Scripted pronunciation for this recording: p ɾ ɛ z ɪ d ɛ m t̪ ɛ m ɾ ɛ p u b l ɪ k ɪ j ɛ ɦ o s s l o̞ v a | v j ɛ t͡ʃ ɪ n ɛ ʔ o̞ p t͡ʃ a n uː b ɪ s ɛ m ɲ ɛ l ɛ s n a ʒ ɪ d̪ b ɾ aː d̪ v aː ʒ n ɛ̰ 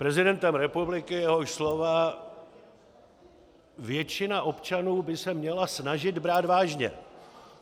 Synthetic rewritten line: p ɾ ɛ z ɪ d ɛ n t̪ ɛ m ɾ ɛ p u b l ɪ k ɪ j ɛ ɦ o ʃ s l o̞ v a | v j ɛ t͡ʃ ɪ n a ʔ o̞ p t͡ʃ a n uː b ɪ s ɛ m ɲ ɛ l a s n a ʒ ɪ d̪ b ɾ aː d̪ v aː ʒ ɲ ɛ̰

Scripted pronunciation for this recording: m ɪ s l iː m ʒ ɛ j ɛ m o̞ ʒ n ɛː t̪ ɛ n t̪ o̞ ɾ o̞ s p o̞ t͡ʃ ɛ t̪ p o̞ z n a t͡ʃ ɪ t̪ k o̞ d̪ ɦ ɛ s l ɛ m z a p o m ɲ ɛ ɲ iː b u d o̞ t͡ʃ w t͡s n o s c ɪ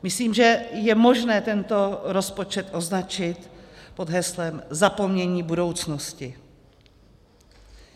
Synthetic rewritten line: m ɪ s l iː m ʒ ɛ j ɛ m o̞ ʒ n ɛː t̪ ɛ n t̪ o̞ ɾ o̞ s p o̞ t͡ʃ ɛ t̪ ʔ o̞ z n a t͡ʃ ɪ t̪ p o̞ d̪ ɦ ɛ s l ɛ m z a p o m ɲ ɛ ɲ iː b u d o̞ w t͡s n o s c ɪ

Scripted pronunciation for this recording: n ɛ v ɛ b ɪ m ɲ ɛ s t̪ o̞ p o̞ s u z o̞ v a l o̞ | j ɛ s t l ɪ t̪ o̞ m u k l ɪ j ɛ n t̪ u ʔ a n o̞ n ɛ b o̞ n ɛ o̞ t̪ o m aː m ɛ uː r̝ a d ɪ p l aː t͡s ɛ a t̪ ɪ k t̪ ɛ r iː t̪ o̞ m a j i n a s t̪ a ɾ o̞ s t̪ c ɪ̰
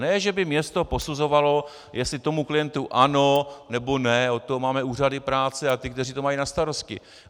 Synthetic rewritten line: n ɛ ʒ ɛ b ɪ m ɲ ɛ s t̪ o̞ p o̞ s u z o̞ v a l o̞ | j ɛ s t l ɪ t̪ o̞ m u k l ɪ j ɛ n t̪ u ʔ a n o̞ n ɛ b o̞ n ɛ o̞ t̪ o m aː m ɛ uː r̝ a d ɪ p ɾ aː t͡s ɛ a t̪ ɪ k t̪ ɛ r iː t̪ o̞ m a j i n a s t̪ a ɾ o̞ s t̪ c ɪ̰

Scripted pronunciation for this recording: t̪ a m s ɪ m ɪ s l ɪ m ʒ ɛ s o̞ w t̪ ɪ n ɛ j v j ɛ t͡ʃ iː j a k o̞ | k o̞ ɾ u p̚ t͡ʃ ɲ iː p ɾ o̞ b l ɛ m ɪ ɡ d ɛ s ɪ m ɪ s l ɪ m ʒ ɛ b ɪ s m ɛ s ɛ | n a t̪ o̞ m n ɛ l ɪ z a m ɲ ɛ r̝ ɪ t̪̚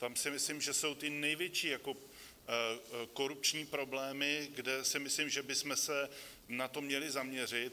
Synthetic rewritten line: t̪ a m s ɪ m ɪ s l ɪ m ʒ ɛ s o̞ w t̪ ɪ n ɛ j v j ɛ t͡ʃ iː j a k o̞ | k o̞ ɾ u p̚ t͡ʃ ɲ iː p ɾ o̞ b l ɛː m ɪ ɡ d ɛ s ɪ m ɪ s l ɪ m ʒ ɛ b ɪ s m ɛ s ɛ | n a t̪ o̞ m ɲ ɛ l ɪ z a m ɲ ɛ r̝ ɪ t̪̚

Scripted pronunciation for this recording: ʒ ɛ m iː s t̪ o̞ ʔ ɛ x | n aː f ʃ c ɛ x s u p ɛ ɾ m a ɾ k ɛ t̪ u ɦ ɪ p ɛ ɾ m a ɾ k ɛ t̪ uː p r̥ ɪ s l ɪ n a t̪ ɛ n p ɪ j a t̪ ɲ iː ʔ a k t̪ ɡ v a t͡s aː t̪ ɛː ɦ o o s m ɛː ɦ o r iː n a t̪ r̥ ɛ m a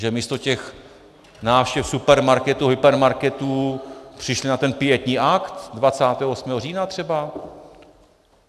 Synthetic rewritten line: ʒ ɛ m iː s t̪ o̞ c ɛ x | n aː f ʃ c ɛ f s u p ɛ ɾ m a ɾ k ɛ t̪ u ɦ ɪ p ɛ ɾ m a ɾ k ɛ t̪ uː p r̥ ɪ ʃ l ɪ n a t̪ ɛ n p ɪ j ɛ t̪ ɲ iː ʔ a k t̪ d v a t͡s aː t̪ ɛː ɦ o o s m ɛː ɦ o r iː n a t̪ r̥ ɛ b a

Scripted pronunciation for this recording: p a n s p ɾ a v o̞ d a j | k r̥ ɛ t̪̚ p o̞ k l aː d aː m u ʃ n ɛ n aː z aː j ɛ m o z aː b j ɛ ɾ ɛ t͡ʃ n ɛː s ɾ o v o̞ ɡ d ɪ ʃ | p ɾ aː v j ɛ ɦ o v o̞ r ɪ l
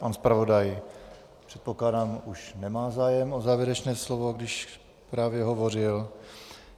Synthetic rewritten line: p a n s p ɾ a v o̞ d a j | p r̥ ɛ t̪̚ p o̞ k l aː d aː m u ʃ n ɛ m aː z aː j ɛ m o z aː v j ɛ ɾ ɛ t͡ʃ n ɛː s l o v o̞ ɡ d ɪ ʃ | p ɾ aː v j ɛ ɦ o v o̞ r ɪ l

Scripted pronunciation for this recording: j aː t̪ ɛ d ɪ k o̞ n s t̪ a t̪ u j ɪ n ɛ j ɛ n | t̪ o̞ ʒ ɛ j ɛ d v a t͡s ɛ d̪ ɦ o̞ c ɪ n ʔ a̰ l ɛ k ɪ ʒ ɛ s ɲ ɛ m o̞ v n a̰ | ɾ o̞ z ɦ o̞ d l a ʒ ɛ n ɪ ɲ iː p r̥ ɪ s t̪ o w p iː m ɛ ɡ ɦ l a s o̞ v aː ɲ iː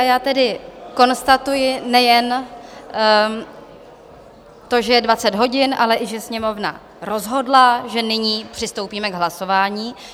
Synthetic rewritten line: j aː t̪ ɛ d ɪ k o̞ n s t̪ a t̪ u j ɪ n ɛ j ɛ n | t̪ o̞ ʒ ɛ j ɛ d v a t͡s ɛ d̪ ɦ o̞ ɟ ɪ n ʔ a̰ l ɛ ʔ ɪ ʒ ɛ s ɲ ɛ m o̞ v n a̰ | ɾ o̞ z ɦ o̞ d l a ʒ ɛ n ɪ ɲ iː p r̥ ɪ s t̪ o w p iː m ɛ ɡ ɦ l a s o̞ v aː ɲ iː

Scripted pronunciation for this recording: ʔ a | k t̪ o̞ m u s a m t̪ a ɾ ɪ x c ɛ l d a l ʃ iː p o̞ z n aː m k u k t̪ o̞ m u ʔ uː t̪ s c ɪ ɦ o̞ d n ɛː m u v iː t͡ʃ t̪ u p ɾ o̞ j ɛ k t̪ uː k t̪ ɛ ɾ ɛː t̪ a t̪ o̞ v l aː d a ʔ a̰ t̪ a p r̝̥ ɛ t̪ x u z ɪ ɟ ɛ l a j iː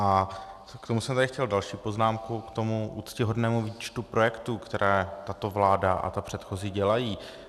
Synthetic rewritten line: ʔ a | k t̪ o̞ m u s ɛ m t̪ a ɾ ɪ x c ɛ l d a l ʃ iː p o̞ z n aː m k u k t̪ o̞ m u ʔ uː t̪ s c ɪ ɦ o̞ d n ɛː m u v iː t͡ʃ t̪ u p ɾ o̞ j ɛ k t̪ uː k t̪ ɛ ɾ ɛː t̪ a t̪ o̞ v l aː d a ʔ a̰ t̪ a p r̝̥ ɛ t̪ x o z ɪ ɟ ɛ l a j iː

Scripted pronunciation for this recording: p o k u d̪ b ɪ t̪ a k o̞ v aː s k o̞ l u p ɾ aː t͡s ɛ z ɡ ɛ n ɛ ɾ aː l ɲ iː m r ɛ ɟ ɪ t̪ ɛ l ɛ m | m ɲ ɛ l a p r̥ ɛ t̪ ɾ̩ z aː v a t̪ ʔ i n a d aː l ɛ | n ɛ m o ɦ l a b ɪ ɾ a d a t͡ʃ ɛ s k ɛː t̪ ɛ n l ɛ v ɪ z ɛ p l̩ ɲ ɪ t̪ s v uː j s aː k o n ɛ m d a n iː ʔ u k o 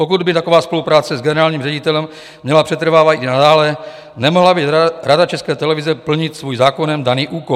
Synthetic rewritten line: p o k u d̪ b ɪ t̪ a k o̞ v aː s p o̞ l u p ɾ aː t͡s ɛ z ɡ ɛ n ɛ ɾ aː l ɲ iː m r ɛ ɟ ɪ t̪ ɛ l ɛ m | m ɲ ɛ l a p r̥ ɛ t̪ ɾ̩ v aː v a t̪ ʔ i n a d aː l ɛ | n ɛ m o ɦ l a b ɪ ɾ a d a t͡ʃ ɛ s k ɛː t̪ ɛ l ɛ v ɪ z ɛ p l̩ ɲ ɪ t̪ s v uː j z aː k o n ɛ m d a n iː ʔ uː k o

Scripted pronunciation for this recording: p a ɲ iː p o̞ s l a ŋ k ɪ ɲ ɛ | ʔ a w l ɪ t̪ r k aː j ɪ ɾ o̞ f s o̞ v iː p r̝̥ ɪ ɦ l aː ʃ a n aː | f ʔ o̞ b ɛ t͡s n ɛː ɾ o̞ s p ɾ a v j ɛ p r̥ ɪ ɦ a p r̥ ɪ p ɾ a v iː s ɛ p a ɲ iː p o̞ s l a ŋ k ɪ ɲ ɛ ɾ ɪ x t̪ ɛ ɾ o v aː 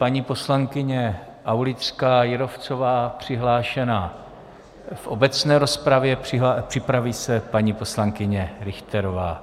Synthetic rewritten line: p a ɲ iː p o̞ s l a ŋ k ɪ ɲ ɛ | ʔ a w l ɪ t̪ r k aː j ɪ ɾ o̞ f t͡s o̞ v aː p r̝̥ ɪ ɦ l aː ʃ ɛ n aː | f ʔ o̞ b ɛ t͡s n ɛː ɾ o̞ s p ɾ a v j ɛ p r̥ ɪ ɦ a p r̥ ɪ p ɾ a v iː s ɛ p a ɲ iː p o̞ s l a ŋ k ɪ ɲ ɛ ɾ ɪ x t̪ ɛ ɾ o v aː

